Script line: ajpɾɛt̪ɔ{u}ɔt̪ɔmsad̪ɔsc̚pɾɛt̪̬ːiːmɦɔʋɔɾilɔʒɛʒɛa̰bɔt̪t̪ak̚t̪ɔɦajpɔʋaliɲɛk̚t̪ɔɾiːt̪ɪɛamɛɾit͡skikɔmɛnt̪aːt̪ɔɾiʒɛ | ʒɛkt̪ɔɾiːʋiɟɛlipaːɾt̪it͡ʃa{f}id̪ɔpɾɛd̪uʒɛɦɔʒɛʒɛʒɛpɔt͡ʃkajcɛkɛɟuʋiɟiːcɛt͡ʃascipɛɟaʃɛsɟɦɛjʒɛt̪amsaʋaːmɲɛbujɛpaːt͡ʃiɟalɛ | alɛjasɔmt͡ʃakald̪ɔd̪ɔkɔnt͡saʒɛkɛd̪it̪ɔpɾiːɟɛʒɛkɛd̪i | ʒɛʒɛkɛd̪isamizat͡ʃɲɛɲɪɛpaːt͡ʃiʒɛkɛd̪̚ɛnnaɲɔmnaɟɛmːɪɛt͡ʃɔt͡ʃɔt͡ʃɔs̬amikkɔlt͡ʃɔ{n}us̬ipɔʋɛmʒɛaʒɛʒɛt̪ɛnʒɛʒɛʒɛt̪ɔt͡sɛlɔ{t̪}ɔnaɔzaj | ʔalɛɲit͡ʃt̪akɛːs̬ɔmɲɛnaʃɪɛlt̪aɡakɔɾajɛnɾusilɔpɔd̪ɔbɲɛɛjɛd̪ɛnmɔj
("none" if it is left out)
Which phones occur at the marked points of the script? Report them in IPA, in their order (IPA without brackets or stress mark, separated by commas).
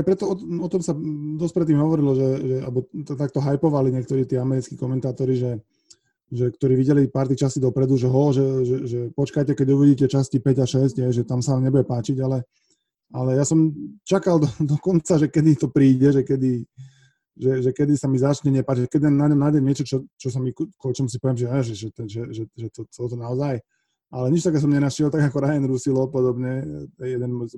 ɔ, s, m, t̪